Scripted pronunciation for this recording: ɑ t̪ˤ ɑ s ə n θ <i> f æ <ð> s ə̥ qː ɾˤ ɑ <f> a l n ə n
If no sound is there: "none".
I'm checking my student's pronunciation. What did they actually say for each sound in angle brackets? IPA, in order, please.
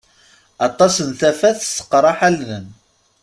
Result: æ, θ, ħ

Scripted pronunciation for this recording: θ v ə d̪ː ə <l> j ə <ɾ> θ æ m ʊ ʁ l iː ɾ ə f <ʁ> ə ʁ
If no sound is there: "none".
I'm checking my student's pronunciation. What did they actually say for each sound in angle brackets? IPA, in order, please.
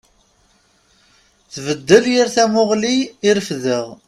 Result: l, ɾ, ð

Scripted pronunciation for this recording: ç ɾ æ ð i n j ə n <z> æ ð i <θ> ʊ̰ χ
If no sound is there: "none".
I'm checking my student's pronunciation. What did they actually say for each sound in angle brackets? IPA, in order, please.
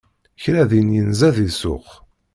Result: z, s

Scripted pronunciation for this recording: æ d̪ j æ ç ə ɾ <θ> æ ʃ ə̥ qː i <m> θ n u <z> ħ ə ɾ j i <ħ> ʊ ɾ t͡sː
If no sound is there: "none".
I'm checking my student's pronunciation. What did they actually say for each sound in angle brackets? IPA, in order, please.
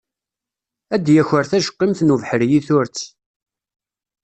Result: θ, m, v, θ

